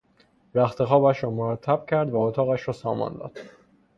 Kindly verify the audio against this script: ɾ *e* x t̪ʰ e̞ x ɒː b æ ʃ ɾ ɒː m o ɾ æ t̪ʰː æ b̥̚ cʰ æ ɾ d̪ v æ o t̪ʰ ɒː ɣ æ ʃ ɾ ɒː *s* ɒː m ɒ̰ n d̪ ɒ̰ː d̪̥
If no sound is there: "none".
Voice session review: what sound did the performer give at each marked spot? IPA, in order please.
æ, s

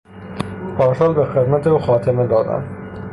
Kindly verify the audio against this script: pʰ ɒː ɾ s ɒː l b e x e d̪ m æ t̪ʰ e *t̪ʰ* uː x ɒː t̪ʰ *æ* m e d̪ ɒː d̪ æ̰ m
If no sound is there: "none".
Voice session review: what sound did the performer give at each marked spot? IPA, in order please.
none, e

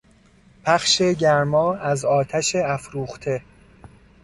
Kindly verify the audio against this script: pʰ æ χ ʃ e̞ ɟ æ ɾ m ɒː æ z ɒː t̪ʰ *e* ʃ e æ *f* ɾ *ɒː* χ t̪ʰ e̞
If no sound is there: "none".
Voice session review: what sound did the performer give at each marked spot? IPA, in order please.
æ, f, uː

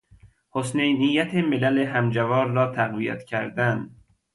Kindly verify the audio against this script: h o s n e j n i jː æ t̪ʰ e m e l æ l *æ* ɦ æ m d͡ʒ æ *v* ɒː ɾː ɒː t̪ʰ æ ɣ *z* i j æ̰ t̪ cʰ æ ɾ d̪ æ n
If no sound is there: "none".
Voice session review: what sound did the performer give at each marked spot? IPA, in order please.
e, v, v

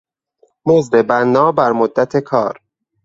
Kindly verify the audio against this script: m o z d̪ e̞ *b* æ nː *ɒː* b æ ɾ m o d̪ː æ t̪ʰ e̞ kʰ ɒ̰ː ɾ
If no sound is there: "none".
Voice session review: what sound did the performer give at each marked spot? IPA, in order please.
b, ɒː

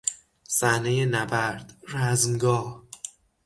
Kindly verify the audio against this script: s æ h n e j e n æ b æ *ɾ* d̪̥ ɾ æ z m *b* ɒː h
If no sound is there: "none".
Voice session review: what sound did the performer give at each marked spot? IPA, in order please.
ɾ, ɡ

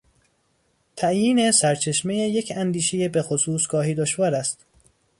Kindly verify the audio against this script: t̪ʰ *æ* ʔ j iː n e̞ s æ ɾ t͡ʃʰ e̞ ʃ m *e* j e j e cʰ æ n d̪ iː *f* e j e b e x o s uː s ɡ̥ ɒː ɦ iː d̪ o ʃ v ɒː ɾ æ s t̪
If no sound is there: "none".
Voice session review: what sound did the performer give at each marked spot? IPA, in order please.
æ, e, ʃ

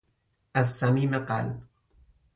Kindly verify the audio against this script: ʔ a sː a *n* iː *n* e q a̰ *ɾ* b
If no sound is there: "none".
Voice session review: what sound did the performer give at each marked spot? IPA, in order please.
m, m, l

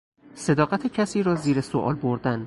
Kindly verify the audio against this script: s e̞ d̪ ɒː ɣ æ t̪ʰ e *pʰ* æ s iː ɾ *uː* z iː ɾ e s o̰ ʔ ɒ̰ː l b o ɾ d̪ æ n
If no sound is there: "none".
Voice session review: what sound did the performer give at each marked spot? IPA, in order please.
cʰ, ɒː

